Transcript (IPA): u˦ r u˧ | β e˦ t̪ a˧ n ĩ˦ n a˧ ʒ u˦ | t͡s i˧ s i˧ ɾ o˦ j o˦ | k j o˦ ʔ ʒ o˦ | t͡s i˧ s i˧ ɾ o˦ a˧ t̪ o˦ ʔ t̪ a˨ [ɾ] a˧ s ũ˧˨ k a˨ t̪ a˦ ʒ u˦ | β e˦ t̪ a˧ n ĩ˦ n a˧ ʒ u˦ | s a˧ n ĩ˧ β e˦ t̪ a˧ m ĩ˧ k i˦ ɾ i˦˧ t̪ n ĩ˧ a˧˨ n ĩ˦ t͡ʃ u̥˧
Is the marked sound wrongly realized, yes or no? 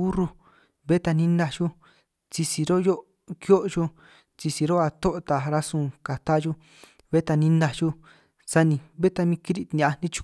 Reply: no